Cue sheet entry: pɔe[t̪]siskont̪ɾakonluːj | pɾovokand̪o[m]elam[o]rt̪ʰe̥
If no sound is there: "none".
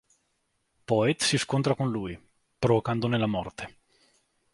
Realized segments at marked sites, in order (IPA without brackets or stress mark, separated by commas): t̪, n, ɔ